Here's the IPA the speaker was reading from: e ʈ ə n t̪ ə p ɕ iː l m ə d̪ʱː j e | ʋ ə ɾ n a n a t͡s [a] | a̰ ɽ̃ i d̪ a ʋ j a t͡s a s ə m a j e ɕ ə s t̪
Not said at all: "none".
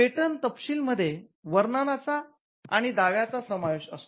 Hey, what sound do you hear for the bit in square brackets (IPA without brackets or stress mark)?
a